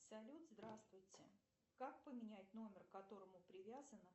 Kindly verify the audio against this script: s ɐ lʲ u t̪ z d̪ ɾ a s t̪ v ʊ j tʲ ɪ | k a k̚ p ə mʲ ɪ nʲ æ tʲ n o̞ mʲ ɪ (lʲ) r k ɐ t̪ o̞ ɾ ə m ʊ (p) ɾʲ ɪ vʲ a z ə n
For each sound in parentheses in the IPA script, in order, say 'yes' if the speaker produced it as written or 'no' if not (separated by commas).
no, yes